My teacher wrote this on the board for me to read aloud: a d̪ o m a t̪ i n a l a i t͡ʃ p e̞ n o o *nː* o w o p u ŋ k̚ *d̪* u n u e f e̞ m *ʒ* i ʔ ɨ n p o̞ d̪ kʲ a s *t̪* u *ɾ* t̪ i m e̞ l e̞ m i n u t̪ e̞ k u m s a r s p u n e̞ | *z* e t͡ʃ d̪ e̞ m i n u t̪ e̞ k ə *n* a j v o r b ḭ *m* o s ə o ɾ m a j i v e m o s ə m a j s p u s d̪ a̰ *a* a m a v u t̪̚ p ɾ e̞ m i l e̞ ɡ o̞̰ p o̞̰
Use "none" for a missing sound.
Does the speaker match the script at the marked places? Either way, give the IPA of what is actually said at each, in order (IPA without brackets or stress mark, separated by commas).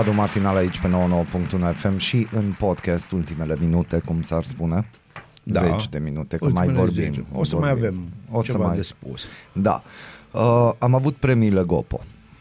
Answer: n, t̪, ʃ, t̪, l, z, m, m, ə